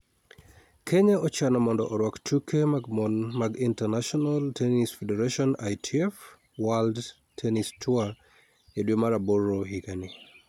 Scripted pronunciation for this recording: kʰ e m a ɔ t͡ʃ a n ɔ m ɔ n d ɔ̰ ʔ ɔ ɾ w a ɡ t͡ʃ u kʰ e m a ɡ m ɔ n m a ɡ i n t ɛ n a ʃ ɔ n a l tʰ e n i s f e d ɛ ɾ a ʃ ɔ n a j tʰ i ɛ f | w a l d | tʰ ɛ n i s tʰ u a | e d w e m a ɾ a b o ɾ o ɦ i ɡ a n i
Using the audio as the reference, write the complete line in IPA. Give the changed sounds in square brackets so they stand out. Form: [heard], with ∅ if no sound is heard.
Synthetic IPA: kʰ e [ɲ] a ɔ t͡ʃ a n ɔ m ɔ n d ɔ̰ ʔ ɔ ɾ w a [k] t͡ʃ u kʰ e m a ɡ m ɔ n m a ɡ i n t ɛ n a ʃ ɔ n a l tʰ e n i s f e d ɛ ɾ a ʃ ɔ n a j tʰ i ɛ f | w a l d | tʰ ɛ n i s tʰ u a | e d w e m a ɾ a b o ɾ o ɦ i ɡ a n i